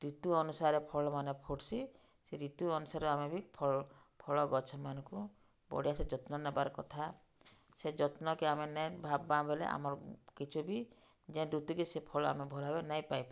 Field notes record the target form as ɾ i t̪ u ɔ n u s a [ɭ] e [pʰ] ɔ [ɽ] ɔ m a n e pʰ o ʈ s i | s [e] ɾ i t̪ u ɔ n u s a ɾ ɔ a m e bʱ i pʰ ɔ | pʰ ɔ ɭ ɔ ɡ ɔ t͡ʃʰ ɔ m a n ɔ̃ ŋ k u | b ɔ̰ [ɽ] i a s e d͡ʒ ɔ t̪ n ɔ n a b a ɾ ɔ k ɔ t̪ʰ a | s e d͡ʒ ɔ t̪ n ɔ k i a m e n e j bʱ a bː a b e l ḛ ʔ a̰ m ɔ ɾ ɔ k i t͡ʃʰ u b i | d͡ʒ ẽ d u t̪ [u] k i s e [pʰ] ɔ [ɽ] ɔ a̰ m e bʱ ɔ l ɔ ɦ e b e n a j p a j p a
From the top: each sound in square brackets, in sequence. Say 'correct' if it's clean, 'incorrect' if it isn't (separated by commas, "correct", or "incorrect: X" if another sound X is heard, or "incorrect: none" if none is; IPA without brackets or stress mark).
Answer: incorrect: ɾ, correct, incorrect: ɭ, correct, correct, correct, correct, incorrect: ɭ